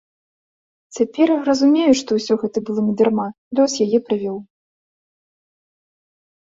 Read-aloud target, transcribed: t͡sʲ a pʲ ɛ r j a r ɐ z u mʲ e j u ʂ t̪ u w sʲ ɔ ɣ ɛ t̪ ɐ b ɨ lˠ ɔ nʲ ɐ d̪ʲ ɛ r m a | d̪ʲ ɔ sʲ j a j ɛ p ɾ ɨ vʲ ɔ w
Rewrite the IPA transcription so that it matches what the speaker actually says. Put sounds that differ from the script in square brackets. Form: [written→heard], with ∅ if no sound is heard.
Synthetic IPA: t͡sʲ a pʲ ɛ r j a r ɐ z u mʲ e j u ʂ t̪ [u→ɔ] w sʲ ɔ ɣ ɛ t̪ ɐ b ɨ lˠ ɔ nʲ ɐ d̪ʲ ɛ r m a | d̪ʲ ɔ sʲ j a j ɛ p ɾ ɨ vʲ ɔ w